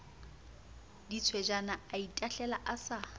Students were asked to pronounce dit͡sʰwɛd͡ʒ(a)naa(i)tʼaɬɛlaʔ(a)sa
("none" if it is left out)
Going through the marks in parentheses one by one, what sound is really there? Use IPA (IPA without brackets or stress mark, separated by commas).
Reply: a, i, a